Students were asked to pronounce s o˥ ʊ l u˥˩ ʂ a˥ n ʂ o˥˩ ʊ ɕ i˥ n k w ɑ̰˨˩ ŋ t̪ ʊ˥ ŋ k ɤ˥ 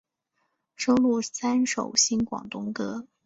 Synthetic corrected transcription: ʂ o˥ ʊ l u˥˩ s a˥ n ʂ o˨˩ ʊ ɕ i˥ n k w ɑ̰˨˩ ŋ t̪ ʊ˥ ŋ k ɤ˥